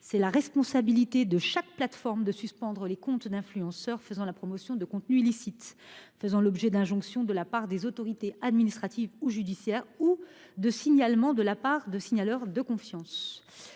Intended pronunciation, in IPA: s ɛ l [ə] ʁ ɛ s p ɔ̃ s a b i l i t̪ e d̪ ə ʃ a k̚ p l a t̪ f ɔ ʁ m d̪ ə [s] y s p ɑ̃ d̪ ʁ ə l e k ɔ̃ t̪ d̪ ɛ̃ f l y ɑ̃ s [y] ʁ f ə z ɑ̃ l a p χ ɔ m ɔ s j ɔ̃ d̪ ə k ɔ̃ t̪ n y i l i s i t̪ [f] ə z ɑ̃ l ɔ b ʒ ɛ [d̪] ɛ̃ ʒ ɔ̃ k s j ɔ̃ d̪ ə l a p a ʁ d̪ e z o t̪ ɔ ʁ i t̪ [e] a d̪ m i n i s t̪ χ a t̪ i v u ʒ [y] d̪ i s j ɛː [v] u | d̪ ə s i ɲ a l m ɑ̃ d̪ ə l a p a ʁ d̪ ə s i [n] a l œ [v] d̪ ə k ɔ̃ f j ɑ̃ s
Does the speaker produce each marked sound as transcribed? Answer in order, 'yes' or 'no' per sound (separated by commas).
no, yes, no, yes, yes, yes, yes, no, no, no